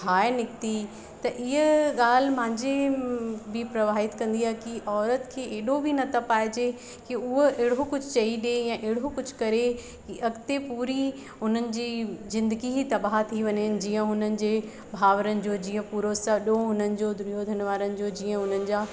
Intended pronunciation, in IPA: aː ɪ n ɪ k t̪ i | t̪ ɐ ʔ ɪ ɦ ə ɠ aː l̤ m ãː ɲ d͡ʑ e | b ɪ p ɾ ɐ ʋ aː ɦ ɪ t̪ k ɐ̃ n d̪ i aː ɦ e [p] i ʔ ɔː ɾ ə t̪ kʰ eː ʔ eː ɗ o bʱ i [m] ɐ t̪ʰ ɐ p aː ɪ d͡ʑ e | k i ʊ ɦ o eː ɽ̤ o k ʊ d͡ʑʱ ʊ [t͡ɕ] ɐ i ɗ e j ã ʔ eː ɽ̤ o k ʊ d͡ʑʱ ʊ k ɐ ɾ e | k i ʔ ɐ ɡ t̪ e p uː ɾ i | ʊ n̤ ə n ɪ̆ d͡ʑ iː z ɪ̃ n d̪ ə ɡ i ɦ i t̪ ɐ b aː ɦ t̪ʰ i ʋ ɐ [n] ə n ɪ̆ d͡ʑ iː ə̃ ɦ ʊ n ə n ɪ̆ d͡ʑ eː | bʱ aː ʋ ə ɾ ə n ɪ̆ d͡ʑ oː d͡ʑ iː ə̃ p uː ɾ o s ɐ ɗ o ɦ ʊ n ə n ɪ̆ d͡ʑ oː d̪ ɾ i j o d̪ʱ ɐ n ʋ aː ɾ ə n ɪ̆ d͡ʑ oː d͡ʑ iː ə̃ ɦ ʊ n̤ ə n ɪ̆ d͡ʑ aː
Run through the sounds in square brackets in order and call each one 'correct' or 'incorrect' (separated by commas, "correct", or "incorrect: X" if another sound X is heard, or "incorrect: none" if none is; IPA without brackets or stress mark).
incorrect: k, incorrect: n, correct, incorrect: ɲ